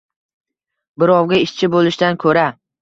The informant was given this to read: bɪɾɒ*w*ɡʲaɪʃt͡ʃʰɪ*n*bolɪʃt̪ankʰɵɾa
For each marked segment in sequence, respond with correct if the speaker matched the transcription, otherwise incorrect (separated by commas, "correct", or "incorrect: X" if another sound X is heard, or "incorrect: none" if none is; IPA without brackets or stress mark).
correct, incorrect: none